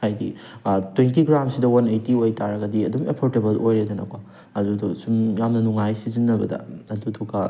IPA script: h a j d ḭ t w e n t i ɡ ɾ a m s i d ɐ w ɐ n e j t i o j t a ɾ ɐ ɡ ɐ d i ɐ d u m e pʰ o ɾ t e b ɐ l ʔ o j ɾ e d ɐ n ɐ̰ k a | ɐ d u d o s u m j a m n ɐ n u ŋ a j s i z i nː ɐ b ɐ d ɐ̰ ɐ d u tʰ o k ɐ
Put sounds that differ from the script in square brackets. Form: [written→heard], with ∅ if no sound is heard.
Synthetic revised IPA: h a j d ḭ t w e n t i ɡ ɾ a m s i d ɐ w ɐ n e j t i o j t a ɾ ɐ ɡ ɐ d i ɐ d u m e pʰ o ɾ t e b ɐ l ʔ o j ɾ e d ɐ n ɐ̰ k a | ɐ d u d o s u m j a m n ɐ n u ŋ a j s i z i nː ɐ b ɐ d ɐ̰ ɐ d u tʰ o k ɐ